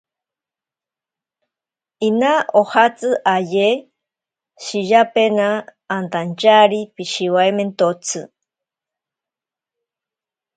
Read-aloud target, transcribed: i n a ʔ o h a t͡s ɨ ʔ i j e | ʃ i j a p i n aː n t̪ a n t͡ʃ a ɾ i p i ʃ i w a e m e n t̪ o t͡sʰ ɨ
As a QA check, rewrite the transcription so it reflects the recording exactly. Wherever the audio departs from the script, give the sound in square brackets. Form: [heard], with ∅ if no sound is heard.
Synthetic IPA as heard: i n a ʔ o h a t͡s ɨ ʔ [a] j e | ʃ i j a p [e] n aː n t̪ a n t͡ʃ a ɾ i p i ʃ i w a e m e n t̪ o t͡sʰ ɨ